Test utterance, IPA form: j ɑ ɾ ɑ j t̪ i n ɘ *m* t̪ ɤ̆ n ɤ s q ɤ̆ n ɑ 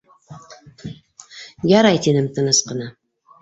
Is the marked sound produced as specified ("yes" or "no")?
yes